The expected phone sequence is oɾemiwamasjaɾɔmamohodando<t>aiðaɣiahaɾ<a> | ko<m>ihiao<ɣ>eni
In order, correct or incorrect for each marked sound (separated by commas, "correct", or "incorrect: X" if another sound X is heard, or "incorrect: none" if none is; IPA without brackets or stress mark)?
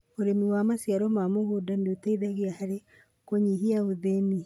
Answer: correct, incorrect: e, incorrect: ɲ, incorrect: ð